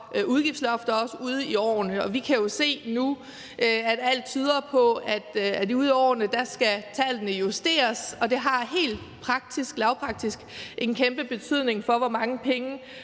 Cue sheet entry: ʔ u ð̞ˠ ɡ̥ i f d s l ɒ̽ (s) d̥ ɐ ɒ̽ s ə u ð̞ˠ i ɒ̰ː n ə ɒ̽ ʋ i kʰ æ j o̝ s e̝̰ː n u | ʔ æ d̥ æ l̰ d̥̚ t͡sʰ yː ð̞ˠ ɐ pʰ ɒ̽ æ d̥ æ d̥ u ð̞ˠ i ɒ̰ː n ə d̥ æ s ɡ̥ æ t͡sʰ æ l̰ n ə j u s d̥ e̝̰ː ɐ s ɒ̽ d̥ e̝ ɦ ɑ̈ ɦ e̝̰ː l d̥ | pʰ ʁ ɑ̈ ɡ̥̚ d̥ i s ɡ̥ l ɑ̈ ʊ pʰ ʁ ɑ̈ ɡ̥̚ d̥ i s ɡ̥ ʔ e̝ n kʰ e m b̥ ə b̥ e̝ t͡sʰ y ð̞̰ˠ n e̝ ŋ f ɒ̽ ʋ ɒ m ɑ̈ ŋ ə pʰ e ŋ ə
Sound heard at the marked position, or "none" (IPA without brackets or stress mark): f